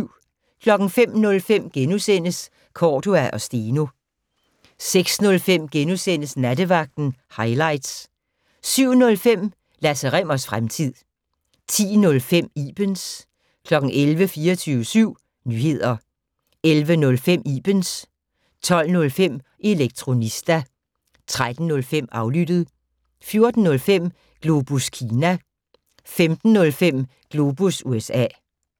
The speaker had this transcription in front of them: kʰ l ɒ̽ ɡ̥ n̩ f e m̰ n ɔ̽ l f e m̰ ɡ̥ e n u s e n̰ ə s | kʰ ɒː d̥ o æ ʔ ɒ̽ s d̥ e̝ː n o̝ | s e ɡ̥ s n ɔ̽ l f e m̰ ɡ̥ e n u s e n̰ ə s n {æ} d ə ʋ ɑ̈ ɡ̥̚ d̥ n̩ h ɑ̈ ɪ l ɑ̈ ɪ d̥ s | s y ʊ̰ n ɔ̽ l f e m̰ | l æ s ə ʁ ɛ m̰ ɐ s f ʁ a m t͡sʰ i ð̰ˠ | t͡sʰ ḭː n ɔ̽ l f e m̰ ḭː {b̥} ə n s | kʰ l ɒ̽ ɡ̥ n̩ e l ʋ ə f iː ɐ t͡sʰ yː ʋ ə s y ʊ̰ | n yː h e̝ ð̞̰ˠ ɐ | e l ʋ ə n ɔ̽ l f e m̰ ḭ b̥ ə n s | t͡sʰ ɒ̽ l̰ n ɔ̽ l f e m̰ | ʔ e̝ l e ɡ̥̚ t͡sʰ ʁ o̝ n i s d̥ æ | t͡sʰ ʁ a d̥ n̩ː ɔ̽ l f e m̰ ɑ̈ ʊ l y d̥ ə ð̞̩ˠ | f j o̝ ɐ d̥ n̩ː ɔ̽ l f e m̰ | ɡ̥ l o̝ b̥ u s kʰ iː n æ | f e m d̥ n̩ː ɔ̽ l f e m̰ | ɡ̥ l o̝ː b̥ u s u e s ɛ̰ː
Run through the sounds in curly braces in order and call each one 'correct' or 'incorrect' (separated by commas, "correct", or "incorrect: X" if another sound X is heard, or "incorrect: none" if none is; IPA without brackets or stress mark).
correct, correct